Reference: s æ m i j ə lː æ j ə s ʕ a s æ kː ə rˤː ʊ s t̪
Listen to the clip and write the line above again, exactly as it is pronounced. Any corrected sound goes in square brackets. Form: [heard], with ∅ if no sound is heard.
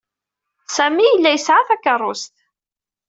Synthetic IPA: s æ m i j ə lː æ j ə s ʕ a [θ] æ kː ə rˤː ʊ s t̪